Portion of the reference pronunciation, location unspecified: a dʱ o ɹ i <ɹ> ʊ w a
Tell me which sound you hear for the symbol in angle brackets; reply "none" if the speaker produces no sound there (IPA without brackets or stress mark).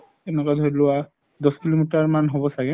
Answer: l